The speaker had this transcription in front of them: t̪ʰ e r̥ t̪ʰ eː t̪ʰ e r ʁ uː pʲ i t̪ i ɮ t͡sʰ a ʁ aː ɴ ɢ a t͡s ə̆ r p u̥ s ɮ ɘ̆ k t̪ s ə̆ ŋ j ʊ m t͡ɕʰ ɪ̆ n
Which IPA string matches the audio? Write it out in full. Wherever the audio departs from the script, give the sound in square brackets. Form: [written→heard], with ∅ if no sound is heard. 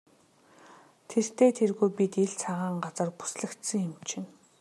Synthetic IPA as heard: t̪ʰ e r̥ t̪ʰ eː t̪ʰ e r [ʁ→ɣ] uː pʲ i t̪ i ɮ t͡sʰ a ʁ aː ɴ ɢ a t͡s ə̆ r p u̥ s ɮ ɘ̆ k t̪ s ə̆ ŋ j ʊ m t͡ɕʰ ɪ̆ n